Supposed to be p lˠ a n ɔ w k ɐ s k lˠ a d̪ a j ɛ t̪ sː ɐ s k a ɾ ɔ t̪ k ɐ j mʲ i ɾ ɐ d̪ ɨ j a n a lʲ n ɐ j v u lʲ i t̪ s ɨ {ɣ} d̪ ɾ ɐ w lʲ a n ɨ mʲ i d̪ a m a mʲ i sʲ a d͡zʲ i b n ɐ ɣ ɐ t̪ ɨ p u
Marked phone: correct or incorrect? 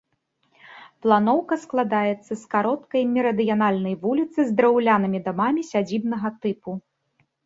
incorrect